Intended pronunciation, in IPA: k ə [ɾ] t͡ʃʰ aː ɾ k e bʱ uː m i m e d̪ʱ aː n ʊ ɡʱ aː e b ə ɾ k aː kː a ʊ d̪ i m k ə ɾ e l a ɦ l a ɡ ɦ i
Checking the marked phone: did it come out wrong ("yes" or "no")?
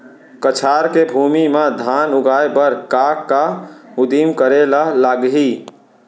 yes